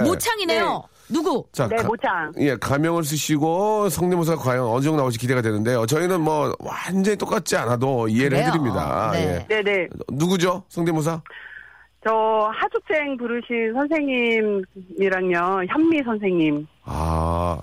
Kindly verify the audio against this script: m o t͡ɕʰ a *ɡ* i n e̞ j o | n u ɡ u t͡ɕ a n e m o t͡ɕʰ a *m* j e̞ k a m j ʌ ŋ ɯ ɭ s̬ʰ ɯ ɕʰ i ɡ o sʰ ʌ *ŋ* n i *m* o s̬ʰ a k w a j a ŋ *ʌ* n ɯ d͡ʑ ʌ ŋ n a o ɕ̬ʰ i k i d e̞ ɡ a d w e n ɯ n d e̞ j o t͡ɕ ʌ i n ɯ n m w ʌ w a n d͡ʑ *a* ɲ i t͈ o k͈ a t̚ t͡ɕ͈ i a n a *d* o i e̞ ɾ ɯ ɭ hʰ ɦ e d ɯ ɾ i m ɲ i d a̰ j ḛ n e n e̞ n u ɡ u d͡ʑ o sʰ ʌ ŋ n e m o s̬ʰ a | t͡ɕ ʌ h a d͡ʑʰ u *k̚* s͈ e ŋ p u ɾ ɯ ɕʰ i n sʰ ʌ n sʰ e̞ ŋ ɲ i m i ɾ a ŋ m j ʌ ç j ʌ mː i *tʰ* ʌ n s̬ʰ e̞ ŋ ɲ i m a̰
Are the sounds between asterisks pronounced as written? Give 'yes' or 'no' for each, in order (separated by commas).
no, no, yes, yes, yes, no, yes, yes, no